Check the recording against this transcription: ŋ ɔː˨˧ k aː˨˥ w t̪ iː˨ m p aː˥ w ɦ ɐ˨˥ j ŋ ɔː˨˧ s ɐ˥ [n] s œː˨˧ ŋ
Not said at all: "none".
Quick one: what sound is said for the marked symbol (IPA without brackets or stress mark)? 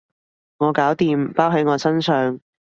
n